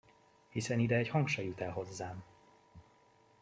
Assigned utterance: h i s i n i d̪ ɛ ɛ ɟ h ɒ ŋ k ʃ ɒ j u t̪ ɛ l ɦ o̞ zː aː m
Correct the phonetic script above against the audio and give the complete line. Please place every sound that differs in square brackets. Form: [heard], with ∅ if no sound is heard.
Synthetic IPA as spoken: h i s [ɛ] n i d̪ ɛ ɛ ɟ h ɒ ŋ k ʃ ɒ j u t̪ ɛ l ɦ o̞ zː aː m